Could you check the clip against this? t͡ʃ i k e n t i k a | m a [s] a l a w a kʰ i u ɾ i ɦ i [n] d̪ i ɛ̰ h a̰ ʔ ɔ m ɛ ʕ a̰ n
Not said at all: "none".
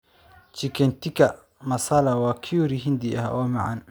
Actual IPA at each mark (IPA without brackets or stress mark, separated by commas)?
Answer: s, n